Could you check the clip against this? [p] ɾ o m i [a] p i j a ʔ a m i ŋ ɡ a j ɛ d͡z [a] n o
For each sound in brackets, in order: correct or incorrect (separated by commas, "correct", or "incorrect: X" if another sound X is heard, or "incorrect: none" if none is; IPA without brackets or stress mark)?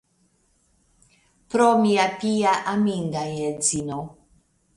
correct, correct, incorrect: i